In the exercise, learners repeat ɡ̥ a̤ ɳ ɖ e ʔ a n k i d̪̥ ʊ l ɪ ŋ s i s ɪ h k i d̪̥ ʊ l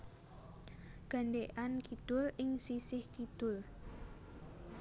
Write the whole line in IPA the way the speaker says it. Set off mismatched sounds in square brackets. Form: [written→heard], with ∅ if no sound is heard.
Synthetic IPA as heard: ɡ̥ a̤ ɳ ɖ e ʔ a n k i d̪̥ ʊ l ɪ ŋ s i s ɪ h k i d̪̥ ʊ l

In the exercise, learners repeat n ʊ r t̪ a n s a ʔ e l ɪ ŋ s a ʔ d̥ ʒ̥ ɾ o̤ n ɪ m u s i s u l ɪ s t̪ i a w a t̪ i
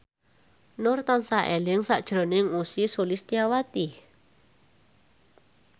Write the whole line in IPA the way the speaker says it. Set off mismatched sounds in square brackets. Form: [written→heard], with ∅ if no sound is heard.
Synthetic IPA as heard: n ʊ r t̪ a n s a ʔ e l ɪ ŋ s a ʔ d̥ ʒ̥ ɾ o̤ n ɪ [m→ŋ] u s i s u l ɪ s t̪ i a w a t̪ i

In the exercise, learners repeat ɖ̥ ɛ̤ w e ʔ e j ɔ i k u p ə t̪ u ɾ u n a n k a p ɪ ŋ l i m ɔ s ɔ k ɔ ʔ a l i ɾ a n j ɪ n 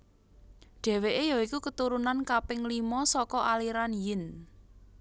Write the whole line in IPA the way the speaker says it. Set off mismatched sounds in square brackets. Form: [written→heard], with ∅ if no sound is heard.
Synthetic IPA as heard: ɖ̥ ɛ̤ w e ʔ e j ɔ i k u [p→k] ə t̪ u ɾ u n a n k a p ɪ ŋ l i m ɔ s ɔ k ɔ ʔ a l i ɾ a n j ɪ n

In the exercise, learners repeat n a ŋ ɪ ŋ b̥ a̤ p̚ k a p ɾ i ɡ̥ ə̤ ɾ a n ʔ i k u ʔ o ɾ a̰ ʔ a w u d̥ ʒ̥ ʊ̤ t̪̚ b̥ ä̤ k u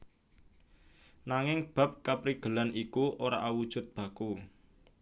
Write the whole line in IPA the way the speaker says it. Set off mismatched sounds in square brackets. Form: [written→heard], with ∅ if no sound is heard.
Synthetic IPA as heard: n a ŋ ɪ ŋ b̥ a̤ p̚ k a p ɾ i ɡ̥ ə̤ [ɾ→l] a n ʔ i k u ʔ o ɾ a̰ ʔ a w u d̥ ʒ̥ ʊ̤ t̪̚ b̥ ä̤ k u

